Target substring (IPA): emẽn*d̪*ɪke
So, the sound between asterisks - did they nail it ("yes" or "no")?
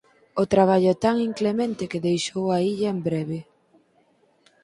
no